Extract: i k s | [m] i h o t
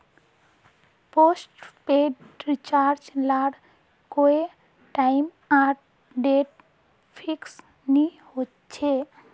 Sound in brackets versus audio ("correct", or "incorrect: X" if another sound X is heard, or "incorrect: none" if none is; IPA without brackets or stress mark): incorrect: n